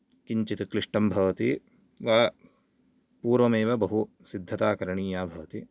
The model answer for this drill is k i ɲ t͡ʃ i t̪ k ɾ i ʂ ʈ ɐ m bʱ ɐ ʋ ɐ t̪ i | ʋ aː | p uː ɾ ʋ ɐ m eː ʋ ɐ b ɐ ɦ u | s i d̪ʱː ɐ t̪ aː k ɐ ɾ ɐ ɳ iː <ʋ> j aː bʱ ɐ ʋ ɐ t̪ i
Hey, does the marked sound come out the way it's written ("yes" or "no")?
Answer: no